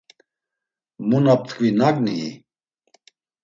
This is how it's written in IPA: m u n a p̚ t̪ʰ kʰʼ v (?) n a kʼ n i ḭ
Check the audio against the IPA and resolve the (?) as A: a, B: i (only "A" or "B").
B